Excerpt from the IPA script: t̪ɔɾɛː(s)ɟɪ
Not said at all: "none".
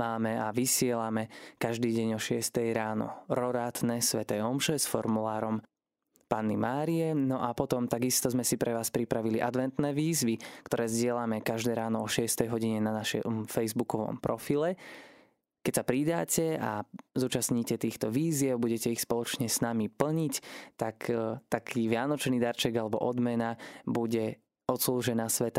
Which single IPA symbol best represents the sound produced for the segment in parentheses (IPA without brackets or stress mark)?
z